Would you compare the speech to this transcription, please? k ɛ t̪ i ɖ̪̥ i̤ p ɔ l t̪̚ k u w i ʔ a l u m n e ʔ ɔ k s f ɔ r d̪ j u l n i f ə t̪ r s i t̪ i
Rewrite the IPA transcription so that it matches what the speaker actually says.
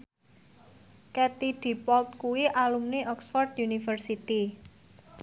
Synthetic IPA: k ɛ t̪ i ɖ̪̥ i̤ p ɔ l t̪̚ k u w i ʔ a l u m n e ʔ ɔ k s f ɔ r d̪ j u n i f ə r s i t̪ i